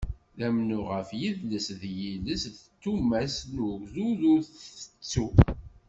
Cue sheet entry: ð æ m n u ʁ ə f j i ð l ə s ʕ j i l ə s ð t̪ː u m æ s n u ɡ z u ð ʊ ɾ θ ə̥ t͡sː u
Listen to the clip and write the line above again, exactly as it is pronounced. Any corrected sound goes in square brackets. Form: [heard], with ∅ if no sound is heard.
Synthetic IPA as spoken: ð æ m n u ʁ ə f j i ð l ə s [ð] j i l ə s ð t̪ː u m æ s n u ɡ z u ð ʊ ɾ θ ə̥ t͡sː u